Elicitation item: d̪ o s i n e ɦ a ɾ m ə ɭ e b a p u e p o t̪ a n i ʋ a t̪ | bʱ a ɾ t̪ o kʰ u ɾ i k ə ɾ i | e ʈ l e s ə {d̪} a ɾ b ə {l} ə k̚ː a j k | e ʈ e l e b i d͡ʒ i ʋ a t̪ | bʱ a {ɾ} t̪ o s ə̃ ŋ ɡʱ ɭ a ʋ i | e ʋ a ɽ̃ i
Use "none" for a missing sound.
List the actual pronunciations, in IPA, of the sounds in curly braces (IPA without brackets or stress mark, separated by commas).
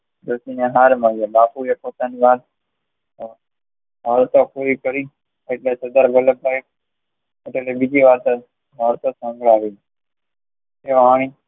d̪, l, ɾ